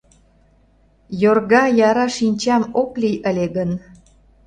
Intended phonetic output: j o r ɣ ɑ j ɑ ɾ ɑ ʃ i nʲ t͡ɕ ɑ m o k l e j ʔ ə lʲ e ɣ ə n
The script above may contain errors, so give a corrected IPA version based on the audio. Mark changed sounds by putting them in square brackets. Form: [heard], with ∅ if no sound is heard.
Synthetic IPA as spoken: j o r ɣ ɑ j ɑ ɾ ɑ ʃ i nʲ t͡ɕ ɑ m o k l [i] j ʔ ə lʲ e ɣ ə n